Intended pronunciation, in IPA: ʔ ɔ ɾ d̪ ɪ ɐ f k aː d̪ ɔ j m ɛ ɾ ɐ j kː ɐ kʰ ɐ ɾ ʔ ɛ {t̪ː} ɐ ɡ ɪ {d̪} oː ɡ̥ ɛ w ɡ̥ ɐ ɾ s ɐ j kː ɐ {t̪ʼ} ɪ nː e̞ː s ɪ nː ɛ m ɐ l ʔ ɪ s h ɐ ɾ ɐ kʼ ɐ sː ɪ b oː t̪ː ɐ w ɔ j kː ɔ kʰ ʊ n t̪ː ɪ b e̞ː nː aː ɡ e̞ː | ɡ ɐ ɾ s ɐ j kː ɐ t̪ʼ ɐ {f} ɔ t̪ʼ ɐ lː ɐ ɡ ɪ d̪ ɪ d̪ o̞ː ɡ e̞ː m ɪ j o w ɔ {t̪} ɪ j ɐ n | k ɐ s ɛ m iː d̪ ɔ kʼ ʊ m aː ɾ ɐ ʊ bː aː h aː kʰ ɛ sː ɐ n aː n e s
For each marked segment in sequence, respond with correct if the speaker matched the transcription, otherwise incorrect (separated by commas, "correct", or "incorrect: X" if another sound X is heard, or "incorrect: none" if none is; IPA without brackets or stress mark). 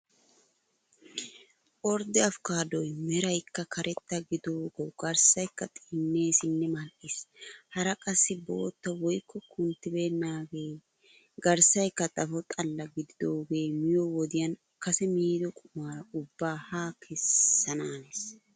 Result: correct, correct, correct, correct, incorrect: d̪